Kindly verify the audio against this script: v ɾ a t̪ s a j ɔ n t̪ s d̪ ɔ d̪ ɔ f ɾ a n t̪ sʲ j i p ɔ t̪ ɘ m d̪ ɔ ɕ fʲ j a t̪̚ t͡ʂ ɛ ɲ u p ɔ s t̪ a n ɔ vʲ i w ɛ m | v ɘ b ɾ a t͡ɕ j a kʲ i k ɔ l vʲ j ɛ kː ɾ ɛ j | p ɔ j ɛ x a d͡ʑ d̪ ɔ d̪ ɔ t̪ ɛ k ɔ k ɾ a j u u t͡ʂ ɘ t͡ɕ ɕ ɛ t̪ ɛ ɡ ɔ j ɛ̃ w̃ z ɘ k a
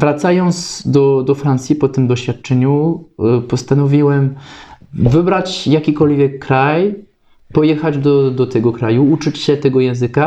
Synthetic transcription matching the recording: v ɾ a t̪ s a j ɔ n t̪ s d̪ ɔ d̪ ɔ f ɾ a n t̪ sʲ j i p ɔ t̪ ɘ m d̪ ɔ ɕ fʲ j a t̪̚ t͡ʂ ɛ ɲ u p ɔ s t̪ a n ɔ vʲ i w ɛ m | v ɘ b ɾ a t͡ɕ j a kʲ i k ɔ l vʲ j ɛ kː ɾ a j | p ɔ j ɛ x a d͡ʑ d̪ ɔ d̪ ɔ t̪ ɛ ɡ ɔ k ɾ a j u u t͡ʂ ɘ t͡ɕ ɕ ɛ t̪ ɛ ɡ ɔ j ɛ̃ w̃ z ɘ k a